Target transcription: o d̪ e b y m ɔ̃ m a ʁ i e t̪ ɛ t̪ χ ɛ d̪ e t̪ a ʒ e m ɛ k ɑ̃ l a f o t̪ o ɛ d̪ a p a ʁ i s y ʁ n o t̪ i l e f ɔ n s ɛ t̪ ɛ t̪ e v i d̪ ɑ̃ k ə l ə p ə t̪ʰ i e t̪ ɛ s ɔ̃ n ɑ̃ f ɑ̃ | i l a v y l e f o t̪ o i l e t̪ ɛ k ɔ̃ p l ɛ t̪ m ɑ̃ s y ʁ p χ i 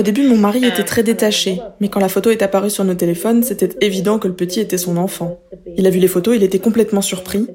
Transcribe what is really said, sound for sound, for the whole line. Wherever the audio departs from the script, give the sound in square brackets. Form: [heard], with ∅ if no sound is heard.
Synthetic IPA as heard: o d̪ e b y m ɔ̃ m a ʁ i e t̪ ɛ t̪ χ ɛ d̪ e t̪ a [ʃ] e m ɛ k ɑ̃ l a f o t̪ o ɛ [t̪] a p a ʁ [y] s y ʁ n o t̪ [e] l e f ɔ n s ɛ t̪ ɛ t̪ e v i d̪ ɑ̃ k ə l ə p ə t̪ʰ i e t̪ ɛ s ɔ̃ n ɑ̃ f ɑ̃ | i l a v y l e f o t̪ o i l e t̪ ɛ k ɔ̃ p l ɛ t̪ m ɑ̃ s y ʁ p χ i